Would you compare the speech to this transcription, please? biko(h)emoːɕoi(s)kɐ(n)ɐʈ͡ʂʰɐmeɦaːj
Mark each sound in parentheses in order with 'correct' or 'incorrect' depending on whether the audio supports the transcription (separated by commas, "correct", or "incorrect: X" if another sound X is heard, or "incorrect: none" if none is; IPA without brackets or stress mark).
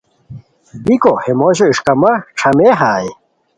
correct, incorrect: ʂ, incorrect: m